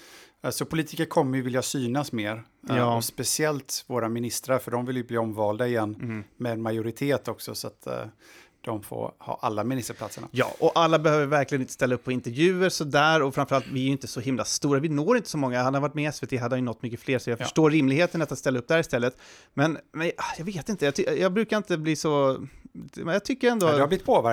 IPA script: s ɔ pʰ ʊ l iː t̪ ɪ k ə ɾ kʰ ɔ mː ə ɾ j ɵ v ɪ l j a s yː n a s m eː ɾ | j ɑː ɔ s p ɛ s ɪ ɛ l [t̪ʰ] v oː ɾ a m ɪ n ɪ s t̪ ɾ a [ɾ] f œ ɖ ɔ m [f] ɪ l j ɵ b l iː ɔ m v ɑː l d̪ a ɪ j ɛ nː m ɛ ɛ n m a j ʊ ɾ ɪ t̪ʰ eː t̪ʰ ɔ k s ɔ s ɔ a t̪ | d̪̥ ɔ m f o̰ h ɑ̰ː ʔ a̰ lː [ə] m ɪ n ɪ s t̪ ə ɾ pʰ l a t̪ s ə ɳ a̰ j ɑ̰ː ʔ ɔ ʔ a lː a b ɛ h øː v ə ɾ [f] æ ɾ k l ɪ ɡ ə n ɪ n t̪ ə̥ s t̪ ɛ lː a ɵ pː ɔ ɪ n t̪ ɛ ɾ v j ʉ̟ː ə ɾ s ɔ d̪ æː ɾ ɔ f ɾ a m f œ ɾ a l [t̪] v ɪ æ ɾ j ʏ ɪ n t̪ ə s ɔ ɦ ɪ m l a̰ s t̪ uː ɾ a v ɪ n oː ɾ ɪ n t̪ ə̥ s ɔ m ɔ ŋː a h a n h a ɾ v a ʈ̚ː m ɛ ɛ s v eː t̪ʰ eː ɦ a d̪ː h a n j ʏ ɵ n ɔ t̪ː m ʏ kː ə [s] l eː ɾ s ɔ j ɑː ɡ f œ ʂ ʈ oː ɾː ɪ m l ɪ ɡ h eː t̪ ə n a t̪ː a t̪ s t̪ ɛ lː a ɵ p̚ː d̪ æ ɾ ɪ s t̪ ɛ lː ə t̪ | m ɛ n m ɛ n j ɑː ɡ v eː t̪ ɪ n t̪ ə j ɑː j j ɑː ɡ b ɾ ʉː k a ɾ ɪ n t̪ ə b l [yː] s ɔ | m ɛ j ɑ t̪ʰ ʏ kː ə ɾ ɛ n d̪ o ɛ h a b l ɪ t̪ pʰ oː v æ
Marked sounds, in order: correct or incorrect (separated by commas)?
incorrect, correct, incorrect, incorrect, incorrect, correct, incorrect, incorrect